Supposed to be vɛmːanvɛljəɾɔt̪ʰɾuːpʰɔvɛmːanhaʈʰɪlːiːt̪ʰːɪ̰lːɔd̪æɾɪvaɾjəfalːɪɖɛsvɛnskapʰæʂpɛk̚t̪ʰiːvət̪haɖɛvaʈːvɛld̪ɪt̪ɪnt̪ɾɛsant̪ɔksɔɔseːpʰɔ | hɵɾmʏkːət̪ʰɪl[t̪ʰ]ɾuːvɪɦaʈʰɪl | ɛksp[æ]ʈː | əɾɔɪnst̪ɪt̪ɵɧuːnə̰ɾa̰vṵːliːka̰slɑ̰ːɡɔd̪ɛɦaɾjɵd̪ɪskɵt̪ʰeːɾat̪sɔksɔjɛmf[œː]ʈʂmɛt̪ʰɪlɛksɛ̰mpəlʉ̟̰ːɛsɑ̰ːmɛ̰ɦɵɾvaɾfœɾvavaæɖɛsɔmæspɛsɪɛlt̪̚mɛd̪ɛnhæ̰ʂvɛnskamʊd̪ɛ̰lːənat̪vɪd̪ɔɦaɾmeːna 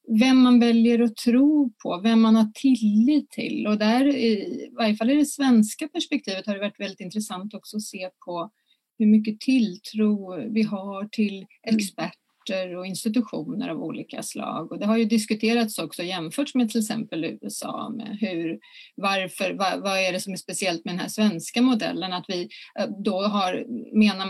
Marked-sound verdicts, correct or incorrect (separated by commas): correct, correct, correct